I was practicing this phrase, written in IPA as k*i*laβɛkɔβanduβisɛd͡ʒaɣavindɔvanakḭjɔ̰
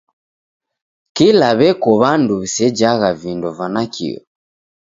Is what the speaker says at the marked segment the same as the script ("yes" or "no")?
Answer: yes